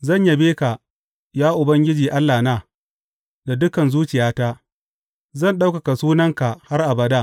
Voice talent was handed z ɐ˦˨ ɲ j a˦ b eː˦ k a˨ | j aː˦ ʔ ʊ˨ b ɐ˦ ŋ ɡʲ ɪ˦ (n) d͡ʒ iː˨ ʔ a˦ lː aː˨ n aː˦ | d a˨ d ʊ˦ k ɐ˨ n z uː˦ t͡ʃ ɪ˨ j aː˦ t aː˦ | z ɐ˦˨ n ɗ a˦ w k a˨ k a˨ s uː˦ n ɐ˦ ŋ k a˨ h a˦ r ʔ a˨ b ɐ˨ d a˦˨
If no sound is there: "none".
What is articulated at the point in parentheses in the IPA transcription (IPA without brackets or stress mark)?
none